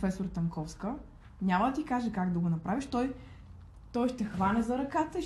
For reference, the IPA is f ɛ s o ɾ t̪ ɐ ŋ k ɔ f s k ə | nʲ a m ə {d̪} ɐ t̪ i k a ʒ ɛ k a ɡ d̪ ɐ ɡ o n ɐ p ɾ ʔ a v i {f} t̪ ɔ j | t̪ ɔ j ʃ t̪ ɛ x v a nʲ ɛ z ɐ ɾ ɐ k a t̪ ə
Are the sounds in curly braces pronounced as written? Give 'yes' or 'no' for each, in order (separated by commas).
yes, no